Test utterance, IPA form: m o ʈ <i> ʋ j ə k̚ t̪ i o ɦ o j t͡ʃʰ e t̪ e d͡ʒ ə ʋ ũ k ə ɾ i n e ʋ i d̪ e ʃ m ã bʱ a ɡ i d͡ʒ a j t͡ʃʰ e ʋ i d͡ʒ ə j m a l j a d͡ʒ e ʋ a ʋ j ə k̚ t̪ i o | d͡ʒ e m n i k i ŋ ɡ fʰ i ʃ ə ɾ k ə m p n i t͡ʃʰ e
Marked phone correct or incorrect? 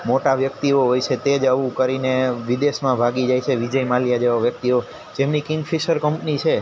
incorrect